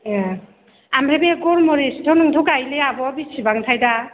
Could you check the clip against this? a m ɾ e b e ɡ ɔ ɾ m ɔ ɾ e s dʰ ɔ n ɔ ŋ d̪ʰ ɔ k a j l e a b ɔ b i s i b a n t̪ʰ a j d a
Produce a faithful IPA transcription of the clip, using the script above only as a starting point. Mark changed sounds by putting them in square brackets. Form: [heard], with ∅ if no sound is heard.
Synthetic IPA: a m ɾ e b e ɡ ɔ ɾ m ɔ ɾ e s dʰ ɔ n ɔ ŋ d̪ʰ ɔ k a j l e a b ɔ b i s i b a [ŋ] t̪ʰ a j d a